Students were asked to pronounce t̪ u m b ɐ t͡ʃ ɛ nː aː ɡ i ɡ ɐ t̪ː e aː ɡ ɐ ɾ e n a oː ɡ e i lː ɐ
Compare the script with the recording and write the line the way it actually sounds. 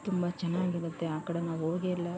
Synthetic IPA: t̪ u m b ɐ t͡ʃ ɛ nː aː ɡ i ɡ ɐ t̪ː e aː k ɐ ɽ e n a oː ɡ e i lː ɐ